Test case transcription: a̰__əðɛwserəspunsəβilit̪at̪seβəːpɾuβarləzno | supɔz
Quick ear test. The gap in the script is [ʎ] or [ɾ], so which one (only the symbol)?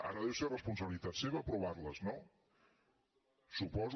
ɾ